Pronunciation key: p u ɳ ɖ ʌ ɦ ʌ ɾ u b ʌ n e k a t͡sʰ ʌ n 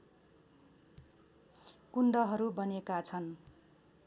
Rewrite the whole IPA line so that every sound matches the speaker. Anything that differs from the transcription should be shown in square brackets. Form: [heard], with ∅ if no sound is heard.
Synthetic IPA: [k] u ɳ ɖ ʌ ɦ ʌ ɾ u b ʌ n e k a t͡sʰ ʌ n